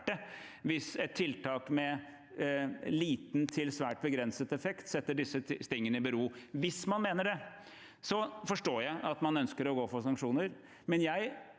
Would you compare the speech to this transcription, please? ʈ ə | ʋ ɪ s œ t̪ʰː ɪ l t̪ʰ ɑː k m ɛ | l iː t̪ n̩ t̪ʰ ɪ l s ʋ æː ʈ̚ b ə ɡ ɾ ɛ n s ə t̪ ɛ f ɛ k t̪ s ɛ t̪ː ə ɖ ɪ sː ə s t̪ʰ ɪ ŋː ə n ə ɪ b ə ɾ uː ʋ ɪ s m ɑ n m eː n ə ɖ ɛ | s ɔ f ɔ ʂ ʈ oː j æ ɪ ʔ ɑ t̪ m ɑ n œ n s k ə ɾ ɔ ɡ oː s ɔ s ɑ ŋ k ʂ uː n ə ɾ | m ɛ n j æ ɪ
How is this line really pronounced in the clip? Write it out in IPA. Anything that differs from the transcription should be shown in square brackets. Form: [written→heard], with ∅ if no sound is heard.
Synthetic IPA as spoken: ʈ ə | ʋ ɪ s [œ→ɛ] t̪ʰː ɪ l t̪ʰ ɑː k m ɛ | l iː t̪ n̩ t̪ʰ ɪ l s ʋ æː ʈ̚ b ə ɡ ɾ ɛ n s ə t̪ ɛ f ɛ k t̪ s ɛ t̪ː ə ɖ ɪ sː ə s [t̪ʰ→t̪] ɪ ŋː ə n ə ɪ b ə ɾ uː ʋ ɪ s m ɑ n m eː n ə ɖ ɛ | s ɔ f ɔ ʂ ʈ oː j æ ɪ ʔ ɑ t̪ m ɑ n œ n s k ə ɾ ɔ ɡ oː [s→f] ɔ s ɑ ŋ k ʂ uː n ə ɾ | m ɛ n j æ ɪ